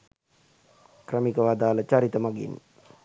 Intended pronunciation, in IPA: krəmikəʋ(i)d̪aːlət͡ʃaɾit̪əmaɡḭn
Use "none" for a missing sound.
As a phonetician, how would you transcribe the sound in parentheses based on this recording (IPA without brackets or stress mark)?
a